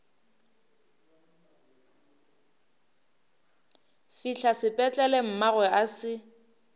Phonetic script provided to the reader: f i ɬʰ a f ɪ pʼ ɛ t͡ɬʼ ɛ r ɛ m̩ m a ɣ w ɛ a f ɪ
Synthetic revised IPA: f i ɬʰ a s ɪ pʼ ɛ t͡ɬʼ ɛ l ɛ m̩ m a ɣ w ɛ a s ɪ